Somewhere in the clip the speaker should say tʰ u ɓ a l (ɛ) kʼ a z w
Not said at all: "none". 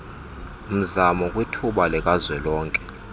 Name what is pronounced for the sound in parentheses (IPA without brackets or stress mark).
ɛ